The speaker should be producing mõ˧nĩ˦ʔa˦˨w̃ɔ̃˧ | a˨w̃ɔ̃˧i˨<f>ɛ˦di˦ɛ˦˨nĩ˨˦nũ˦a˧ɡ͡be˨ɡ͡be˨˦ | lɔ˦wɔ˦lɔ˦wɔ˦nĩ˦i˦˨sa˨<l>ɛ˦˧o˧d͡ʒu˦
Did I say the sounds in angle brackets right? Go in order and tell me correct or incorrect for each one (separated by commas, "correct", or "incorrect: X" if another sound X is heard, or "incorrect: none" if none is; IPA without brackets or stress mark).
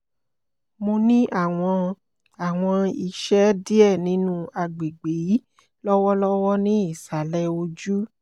incorrect: ʃ, correct